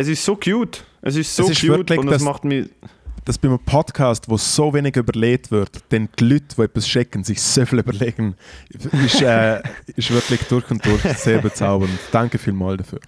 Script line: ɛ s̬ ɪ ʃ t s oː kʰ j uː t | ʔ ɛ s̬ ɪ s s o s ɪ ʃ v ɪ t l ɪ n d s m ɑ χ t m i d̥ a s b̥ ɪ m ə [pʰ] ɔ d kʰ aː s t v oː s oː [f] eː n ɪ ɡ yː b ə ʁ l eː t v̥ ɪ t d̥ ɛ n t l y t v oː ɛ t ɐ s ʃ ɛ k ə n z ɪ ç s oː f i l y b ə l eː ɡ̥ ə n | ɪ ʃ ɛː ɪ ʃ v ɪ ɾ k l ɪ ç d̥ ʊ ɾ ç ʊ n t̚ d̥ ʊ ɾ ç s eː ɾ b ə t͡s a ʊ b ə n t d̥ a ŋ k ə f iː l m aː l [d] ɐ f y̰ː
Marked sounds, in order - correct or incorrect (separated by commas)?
correct, incorrect, correct